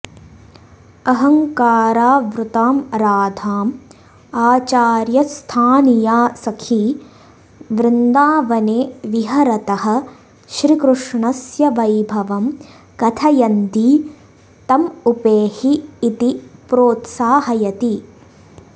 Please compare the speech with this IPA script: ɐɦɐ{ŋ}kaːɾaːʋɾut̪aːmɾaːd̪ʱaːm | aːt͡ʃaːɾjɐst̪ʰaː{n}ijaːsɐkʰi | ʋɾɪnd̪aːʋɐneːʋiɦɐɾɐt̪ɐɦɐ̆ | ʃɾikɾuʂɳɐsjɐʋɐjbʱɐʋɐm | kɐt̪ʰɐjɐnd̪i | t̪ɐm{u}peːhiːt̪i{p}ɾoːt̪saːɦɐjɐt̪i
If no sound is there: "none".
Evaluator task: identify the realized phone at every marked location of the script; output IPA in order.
ŋ, n, u, p

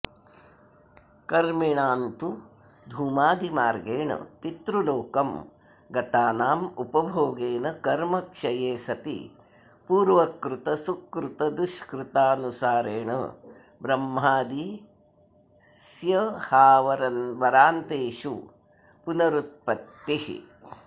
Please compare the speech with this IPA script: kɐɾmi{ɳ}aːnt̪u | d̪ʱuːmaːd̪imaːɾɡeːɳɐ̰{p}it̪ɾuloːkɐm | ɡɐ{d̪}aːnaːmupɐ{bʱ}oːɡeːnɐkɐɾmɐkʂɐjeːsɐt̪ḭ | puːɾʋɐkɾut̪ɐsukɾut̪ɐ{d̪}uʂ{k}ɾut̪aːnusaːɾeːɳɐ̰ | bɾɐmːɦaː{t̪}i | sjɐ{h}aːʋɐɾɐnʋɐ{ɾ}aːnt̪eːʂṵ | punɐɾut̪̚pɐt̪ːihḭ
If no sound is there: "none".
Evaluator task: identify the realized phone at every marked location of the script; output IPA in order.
ɳ, p, t̪, bʱ, d̪, k, d̪, h, ɾ

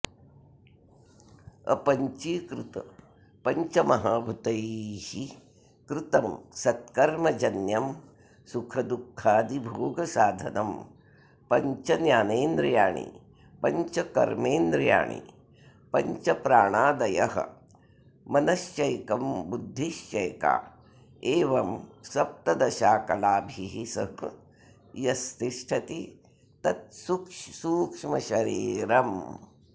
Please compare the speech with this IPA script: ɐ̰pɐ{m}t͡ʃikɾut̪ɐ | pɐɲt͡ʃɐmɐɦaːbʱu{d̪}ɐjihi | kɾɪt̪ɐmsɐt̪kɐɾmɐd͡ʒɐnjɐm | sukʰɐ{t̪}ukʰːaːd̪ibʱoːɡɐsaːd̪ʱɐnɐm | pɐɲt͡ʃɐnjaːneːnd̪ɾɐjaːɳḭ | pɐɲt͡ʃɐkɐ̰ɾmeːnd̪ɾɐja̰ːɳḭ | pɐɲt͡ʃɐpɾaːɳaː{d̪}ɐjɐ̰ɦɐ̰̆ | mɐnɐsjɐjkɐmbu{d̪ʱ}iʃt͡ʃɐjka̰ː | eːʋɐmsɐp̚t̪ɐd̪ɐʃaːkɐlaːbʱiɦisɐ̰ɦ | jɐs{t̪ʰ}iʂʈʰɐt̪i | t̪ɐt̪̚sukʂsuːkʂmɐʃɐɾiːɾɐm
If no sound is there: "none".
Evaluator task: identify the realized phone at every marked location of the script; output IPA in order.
ɲ, t̪, d̪, d̪, d̪ʱː, t̪

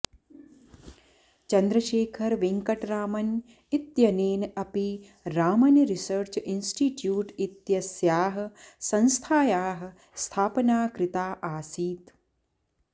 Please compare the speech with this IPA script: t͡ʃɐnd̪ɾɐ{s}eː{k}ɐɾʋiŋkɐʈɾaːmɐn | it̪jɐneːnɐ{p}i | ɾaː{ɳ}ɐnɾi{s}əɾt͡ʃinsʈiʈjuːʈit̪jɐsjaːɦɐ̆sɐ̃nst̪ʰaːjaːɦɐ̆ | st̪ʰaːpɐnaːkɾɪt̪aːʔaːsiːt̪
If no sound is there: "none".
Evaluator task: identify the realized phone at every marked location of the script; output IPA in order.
ʃ, kʰ, p, m, s

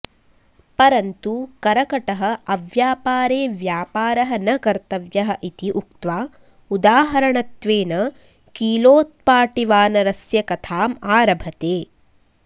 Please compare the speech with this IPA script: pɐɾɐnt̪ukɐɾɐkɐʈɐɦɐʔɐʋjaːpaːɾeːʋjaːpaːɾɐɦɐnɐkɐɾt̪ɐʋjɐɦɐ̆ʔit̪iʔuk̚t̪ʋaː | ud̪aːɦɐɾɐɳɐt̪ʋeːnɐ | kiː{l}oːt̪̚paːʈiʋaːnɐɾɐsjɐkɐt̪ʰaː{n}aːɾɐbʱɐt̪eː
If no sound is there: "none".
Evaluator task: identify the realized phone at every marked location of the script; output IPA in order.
l, m

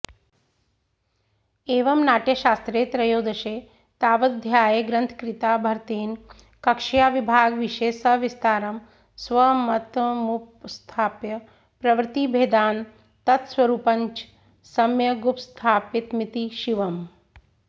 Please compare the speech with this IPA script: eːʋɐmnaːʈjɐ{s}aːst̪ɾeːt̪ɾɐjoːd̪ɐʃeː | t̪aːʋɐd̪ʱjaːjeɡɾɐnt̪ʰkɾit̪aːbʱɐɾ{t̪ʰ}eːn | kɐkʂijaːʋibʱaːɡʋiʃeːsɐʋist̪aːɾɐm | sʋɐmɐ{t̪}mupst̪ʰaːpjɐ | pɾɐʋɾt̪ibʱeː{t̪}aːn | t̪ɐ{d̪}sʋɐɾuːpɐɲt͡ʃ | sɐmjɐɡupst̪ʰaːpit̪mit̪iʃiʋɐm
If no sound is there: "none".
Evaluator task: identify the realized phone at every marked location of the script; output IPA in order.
ʃ, t̪, t̪, d̪, t̪

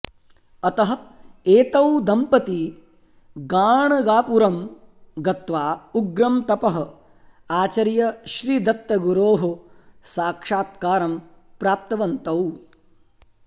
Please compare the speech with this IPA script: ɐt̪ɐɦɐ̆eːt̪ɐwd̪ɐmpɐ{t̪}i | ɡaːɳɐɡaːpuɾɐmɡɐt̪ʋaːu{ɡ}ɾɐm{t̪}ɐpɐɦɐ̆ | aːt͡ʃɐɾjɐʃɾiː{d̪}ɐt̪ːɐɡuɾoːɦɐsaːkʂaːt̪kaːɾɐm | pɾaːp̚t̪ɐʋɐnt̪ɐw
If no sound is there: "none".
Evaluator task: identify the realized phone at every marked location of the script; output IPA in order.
t̪, ɡ, t̪, d̪

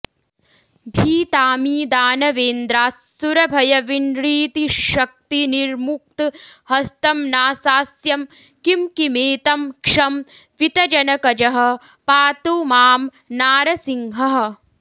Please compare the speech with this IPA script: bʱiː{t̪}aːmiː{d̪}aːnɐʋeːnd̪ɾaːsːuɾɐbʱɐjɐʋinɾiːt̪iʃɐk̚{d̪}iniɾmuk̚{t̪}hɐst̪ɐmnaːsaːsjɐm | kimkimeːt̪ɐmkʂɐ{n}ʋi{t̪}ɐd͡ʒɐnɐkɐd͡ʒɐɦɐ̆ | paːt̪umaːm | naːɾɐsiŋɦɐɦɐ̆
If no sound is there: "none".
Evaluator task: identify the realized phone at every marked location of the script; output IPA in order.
t̪, d̪, t̪, t̪, m, t̪

